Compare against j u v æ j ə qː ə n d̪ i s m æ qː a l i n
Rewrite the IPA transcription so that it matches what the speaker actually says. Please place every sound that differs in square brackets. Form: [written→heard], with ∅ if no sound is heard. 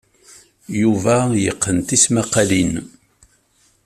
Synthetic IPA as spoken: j u v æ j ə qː ə n [d̪→t̪] i s m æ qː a l i n